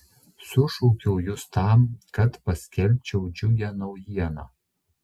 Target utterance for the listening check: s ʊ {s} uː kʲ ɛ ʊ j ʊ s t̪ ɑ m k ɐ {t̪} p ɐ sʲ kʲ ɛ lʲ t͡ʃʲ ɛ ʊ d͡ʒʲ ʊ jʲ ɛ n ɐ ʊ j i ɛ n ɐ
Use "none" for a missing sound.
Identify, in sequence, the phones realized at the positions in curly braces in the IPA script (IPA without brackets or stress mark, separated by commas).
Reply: ʃ, t̪